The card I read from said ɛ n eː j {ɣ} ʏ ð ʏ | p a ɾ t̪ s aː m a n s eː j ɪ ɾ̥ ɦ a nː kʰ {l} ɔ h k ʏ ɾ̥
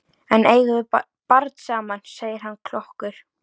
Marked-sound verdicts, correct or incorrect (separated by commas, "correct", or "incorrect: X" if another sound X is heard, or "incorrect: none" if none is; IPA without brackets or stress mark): correct, correct